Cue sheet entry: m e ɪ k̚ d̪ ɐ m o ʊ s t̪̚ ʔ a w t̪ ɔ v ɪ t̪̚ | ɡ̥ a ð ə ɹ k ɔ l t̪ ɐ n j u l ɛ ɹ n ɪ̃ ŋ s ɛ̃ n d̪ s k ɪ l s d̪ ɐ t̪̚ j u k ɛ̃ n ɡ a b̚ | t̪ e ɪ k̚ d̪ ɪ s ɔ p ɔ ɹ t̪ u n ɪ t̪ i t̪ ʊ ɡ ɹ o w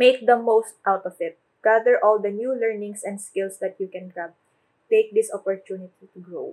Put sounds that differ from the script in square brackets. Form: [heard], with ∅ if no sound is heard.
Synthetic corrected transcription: m e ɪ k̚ d̪ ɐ m o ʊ s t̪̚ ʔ a w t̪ ɔ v ɪ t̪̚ | ɡ̥ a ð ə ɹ [ʔ] ɔ l [d̪] ɐ n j u l ɛ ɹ n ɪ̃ ŋ s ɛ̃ n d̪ s k ɪ l s d̪ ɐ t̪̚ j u k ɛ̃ n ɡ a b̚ | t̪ e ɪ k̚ d̪ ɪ s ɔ p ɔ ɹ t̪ u n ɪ t̪ i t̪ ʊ ɡ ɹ o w